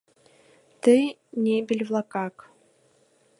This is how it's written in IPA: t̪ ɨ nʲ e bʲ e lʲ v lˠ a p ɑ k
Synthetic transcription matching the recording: t̪ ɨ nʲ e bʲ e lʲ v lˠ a k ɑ k